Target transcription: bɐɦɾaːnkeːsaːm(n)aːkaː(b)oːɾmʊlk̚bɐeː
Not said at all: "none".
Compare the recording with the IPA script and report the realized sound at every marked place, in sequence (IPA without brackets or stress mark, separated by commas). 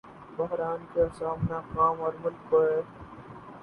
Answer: n, m